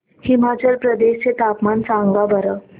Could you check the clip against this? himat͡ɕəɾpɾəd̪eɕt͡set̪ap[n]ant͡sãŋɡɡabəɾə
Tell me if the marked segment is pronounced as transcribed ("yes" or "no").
no